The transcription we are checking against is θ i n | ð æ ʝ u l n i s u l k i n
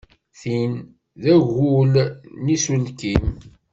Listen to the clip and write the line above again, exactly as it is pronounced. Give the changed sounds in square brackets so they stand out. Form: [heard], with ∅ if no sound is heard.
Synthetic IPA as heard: θ i n | ð æ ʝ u l n i s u l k i [m]